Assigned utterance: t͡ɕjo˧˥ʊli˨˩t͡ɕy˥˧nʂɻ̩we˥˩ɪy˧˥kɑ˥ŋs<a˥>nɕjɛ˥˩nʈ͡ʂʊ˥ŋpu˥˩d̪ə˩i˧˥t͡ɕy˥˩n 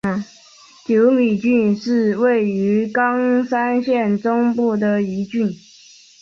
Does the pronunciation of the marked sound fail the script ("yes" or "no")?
no